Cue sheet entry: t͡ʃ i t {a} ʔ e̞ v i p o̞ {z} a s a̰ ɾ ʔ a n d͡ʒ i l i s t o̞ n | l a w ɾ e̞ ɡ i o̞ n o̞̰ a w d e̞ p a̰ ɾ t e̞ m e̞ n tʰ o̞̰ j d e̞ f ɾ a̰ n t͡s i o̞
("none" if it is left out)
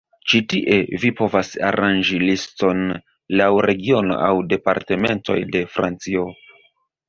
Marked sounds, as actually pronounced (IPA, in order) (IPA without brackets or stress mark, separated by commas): i, v